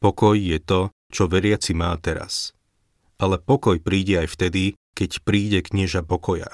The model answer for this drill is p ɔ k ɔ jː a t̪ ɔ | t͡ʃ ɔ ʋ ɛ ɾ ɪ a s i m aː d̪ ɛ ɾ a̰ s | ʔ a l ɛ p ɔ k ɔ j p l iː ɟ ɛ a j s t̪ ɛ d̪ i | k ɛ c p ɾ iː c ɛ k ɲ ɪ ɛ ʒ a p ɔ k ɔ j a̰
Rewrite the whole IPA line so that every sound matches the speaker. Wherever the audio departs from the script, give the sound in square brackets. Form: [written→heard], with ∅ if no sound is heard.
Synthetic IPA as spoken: p ɔ k ɔ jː [a→ɛ] t̪ ɔ | t͡ʃ ɔ ʋ ɛ ɾ ɪ a [s→t͡s] i m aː [d̪→t̪] ɛ ɾ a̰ s | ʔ a l ɛ p ɔ k ɔ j p [l→ɾ] iː ɟ ɛ a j [s→f] t̪ ɛ d̪ i | k ɛ c p ɾ iː [c→ɟ] ɛ k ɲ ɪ ɛ ʒ a p ɔ k ɔ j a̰